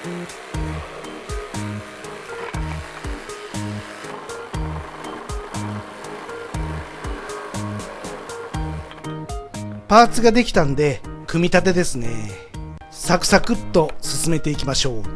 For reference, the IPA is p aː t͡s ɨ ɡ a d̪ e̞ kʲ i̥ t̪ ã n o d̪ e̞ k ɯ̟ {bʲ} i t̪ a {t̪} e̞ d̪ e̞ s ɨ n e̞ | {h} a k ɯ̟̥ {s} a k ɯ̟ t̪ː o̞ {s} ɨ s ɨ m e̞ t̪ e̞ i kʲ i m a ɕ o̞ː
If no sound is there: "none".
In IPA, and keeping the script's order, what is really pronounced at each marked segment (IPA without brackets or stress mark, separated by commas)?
mʲ, t̪, s, s, s